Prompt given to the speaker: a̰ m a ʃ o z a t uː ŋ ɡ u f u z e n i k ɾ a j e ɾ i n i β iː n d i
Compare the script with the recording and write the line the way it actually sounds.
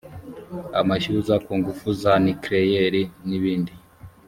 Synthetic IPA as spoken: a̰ m a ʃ u z a k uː ŋ ɡ u f u z a n i k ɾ e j e ɾ i n i β iː n d i